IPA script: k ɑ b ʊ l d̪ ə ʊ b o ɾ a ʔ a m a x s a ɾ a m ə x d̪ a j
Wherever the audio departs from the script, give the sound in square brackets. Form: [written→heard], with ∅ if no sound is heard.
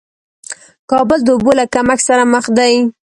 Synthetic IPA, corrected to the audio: k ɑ b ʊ l d̪ ə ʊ b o [ɾ→l] a [ʔ→k] a m a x s a ɾ a m ə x d̪ a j